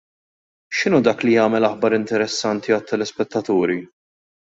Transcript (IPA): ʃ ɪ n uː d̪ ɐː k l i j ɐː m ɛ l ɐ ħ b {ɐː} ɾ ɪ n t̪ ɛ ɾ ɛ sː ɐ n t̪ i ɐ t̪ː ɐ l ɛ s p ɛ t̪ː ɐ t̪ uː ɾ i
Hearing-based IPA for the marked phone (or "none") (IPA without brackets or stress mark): ɐ